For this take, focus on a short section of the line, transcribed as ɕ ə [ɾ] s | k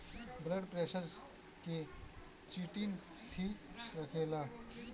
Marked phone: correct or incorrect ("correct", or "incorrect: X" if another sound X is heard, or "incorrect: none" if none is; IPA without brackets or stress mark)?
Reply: correct